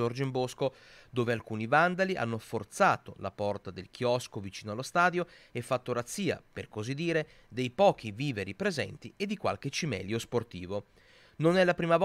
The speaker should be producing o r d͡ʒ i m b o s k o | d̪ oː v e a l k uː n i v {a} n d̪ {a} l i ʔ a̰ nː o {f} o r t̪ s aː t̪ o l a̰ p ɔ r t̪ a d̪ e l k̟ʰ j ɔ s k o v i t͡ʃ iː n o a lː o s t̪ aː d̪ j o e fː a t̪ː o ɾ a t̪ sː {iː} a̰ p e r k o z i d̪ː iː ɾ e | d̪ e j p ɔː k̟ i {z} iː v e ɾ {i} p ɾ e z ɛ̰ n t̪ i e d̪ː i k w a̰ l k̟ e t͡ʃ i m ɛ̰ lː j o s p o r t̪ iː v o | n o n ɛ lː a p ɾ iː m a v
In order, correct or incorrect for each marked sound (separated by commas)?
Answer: correct, correct, correct, correct, incorrect, correct